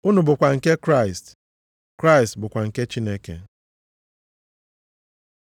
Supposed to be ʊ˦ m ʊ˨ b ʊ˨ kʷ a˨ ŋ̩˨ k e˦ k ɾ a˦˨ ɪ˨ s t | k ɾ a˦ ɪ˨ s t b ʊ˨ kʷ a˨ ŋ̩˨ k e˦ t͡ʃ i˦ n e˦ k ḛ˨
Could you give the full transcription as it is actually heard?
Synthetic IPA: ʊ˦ n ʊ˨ b ʊ˨ kʷ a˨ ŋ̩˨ k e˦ k ɾ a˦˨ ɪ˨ s t | k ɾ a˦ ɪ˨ s t b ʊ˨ kʷ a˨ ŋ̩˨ k e˦ t͡ʃ i˦ n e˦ k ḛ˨